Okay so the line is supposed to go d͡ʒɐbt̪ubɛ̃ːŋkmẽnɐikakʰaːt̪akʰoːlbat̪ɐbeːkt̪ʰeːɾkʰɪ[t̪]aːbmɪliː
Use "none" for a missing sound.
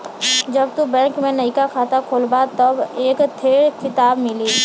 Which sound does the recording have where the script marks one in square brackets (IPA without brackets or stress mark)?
t̪